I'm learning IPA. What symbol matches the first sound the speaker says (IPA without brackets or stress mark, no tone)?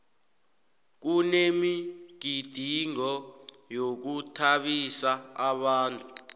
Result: k̬